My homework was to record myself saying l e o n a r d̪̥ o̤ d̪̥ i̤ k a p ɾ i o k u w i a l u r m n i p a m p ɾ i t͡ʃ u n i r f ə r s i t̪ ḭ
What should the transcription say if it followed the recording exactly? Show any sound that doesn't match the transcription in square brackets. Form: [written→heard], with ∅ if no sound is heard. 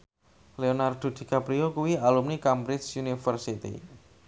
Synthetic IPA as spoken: l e o n a r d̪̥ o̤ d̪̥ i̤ k a p ɾ i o k u w i a l u [r→∅] m n i [p→k] a m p ɾ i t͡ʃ u n i [r→∅] f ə r s i t̪ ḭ